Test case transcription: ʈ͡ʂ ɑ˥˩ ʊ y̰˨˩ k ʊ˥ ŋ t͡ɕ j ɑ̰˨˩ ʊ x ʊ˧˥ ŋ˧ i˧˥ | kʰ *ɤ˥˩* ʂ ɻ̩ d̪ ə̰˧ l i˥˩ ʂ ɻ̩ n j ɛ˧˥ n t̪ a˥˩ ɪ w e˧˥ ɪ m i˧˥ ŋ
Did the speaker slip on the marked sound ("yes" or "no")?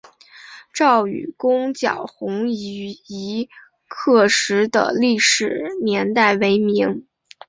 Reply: no